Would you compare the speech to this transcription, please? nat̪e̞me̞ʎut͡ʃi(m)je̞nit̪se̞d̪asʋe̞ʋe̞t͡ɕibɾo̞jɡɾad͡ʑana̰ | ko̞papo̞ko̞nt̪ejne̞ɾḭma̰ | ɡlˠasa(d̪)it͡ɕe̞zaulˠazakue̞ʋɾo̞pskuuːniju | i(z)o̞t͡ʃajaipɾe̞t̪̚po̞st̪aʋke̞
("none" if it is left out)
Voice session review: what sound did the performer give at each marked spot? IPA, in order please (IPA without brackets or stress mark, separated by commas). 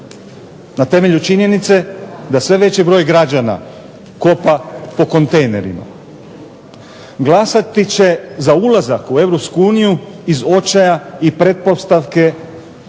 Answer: ɲ, t̪, z